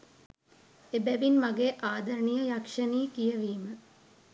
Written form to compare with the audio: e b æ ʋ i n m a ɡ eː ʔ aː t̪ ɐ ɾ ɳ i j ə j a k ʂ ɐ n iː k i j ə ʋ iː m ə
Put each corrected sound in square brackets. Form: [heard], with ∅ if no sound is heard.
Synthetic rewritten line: e b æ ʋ i n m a ɡ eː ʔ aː [d̪] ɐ ɾ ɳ i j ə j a k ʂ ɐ n iː k i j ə ʋ iː m ə

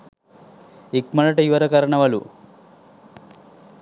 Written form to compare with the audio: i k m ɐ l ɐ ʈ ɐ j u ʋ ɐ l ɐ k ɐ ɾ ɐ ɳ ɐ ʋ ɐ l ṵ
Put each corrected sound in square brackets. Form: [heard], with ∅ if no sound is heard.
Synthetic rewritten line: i k m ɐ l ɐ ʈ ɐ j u ʋ ɐ [ɾ] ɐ k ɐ ɾ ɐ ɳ ɐ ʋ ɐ l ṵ

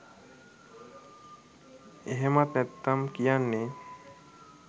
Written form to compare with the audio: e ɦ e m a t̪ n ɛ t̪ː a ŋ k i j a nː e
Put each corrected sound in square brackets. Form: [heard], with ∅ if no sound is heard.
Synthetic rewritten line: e ɦ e m a t̪ n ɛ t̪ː a [m] k i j a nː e

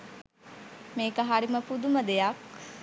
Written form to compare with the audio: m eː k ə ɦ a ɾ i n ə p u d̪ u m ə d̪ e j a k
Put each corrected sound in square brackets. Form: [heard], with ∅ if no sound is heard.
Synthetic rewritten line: m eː k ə ɦ a ɾ i [m] ə p u d̪ u m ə d̪ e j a k

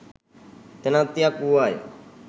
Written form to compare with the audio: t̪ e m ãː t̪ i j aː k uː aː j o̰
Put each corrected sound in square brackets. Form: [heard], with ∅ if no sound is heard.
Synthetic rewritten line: t̪ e [n] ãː t̪ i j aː k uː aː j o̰

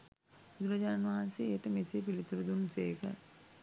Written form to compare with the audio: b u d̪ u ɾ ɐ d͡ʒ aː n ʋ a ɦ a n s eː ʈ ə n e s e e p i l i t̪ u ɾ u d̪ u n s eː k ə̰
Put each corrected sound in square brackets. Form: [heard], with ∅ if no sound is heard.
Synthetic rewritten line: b u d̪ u ɾ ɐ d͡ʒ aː n ʋ a ɦ a n s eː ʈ ə [m] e s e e p i l i t̪ u ɾ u d̪ u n s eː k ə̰

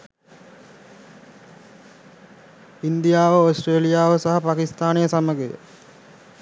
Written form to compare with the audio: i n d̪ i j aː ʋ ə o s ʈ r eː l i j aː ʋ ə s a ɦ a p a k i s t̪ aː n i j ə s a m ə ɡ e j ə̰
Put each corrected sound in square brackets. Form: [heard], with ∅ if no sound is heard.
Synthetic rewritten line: i n d̪ i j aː ʋ ə o s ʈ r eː l i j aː ʋ ə s a ɦ a p a k i s t̪ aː n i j ə s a m ə ɡ e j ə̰

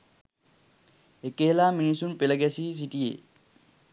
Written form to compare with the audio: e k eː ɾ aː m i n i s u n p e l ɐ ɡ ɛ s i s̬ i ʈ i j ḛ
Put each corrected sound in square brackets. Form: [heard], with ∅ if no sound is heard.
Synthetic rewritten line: e k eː [l] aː m i n i s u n p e l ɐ ɡ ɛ s i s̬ i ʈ i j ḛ

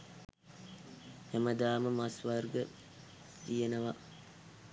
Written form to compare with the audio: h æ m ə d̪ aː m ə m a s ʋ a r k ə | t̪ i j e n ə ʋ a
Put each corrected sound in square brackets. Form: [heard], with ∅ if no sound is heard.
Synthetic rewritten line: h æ m ə d̪ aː m ə m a s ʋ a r [ɡ] ə | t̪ i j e n ə ʋ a

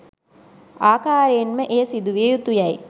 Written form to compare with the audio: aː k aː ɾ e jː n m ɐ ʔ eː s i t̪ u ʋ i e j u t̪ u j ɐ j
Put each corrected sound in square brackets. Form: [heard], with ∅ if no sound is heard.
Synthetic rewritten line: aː k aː ɾ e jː n m [ə] ʔ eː s i [d̪] u ʋ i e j u t̪ u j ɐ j

